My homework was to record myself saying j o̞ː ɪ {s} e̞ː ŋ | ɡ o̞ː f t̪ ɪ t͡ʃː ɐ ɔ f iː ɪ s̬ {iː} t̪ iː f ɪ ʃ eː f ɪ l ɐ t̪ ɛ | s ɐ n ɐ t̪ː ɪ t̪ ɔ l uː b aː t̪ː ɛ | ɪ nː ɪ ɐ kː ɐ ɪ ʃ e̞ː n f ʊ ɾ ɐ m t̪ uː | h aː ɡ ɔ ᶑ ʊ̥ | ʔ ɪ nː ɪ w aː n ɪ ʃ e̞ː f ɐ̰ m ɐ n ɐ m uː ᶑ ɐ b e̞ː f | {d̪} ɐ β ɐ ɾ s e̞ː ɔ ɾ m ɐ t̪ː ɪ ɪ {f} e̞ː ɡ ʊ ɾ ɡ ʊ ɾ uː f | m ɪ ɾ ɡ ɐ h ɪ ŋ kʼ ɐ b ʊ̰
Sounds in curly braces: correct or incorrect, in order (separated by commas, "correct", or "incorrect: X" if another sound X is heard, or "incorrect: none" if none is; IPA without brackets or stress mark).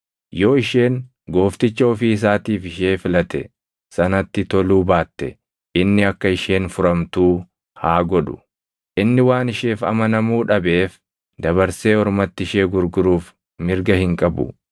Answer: incorrect: ʃ, incorrect: aː, correct, incorrect: ʃ